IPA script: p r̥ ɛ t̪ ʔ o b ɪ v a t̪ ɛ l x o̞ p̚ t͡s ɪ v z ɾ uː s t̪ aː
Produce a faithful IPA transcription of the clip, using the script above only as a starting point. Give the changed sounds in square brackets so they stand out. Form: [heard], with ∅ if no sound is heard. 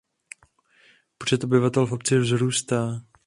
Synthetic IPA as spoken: p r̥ ɛ t̪ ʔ o b ɪ v a t̪ ɛ l [f] o̞ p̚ t͡s ɪ v z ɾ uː s t̪ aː